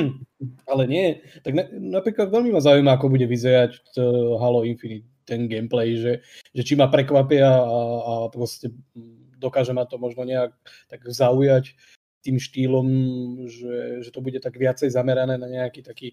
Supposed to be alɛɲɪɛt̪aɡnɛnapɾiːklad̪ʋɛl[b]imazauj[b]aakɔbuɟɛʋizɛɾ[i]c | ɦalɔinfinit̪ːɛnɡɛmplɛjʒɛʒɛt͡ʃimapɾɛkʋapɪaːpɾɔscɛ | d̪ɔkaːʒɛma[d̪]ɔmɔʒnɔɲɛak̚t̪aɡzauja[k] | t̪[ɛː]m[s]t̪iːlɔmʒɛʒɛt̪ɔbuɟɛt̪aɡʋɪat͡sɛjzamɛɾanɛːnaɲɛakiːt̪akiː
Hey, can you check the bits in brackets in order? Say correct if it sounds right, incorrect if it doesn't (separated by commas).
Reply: incorrect, incorrect, incorrect, incorrect, incorrect, incorrect, incorrect